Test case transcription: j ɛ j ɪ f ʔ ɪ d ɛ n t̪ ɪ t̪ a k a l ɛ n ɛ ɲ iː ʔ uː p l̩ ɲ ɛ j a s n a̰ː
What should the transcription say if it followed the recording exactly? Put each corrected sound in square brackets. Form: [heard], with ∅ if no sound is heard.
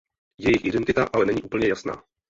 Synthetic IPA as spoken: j ɛ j ɪ [x] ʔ ɪ d ɛ n t̪ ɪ t̪ a [ʔ] a l ɛ n ɛ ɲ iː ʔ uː p l̩ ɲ ɛ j a s n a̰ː